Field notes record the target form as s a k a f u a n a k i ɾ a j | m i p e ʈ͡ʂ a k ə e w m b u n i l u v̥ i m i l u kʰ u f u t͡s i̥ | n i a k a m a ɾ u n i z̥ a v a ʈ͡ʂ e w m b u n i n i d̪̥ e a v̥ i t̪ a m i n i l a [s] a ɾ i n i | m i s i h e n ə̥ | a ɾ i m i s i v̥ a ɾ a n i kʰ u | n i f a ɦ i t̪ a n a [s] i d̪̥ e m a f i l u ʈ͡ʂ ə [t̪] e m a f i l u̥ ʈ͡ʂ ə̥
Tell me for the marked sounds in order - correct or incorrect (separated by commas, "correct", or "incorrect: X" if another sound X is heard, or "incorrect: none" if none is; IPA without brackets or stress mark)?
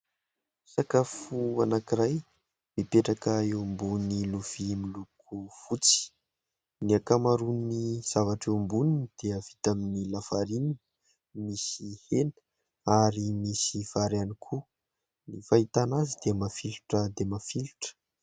incorrect: f, incorrect: z, incorrect: d̪